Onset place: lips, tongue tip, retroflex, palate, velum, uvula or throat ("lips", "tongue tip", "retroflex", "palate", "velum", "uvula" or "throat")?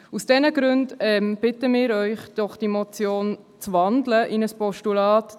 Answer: tongue tip